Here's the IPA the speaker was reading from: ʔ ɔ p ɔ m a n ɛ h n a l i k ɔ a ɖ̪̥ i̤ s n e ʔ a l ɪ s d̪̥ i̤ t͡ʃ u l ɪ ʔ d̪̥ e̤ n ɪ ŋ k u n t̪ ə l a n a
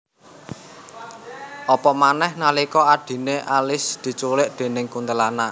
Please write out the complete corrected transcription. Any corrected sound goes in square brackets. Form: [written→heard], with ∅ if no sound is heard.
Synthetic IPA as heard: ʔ ɔ p ɔ m a n ɛ h n a l i k ɔ a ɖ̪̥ i̤ [s→∅] n e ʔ a l ɪ s d̪̥ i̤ t͡ʃ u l ɪ ʔ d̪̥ e̤ n ɪ ŋ k u n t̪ ə l a n a